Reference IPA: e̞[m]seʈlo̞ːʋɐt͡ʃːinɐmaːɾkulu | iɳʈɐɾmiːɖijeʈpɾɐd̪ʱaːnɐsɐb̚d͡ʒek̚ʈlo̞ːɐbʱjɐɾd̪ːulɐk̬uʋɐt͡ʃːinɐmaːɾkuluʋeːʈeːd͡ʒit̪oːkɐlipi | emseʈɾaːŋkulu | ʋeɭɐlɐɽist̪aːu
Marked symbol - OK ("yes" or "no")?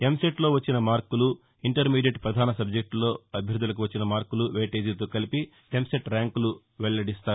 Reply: yes